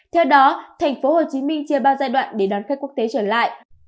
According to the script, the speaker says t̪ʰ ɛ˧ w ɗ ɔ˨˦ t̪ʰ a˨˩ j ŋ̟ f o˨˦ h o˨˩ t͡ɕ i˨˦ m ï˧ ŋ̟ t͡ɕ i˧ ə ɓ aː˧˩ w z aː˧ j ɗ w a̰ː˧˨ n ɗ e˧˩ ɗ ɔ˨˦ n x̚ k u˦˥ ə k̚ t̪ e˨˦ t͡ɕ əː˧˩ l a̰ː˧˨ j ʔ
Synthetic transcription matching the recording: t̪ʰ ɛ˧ w ɗ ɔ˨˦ t̪ʰ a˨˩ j ŋ̟ f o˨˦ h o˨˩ t͡ɕ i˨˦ m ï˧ ŋ̟ t͡ɕ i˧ ə ɓ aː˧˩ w z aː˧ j ɗ w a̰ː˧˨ n ɗ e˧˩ ɗ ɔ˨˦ n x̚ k u˦˥ ə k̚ t̪ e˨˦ t͡ɕ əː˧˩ l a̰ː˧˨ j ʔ